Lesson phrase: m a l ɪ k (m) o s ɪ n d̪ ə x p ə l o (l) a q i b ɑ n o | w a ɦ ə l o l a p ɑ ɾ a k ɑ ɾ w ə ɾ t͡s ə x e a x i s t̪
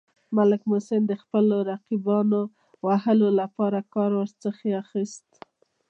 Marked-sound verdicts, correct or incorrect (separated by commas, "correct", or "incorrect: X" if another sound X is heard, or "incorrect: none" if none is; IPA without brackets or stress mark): correct, incorrect: ɾ